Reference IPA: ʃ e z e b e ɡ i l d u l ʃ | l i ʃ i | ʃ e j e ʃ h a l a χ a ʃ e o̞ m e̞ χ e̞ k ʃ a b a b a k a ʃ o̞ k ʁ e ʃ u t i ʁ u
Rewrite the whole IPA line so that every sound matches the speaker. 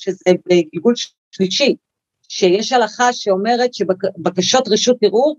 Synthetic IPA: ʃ e z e b e ɡ i l ɡ u l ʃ | l i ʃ i | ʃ e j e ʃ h a l a χ a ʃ e o̞ m e̞ ʁ e̞ t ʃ e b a b a k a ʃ o̞ t ʁ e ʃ u t i ʁ u